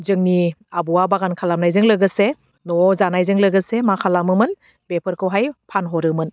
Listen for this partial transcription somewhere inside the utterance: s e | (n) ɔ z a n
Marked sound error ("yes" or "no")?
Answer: no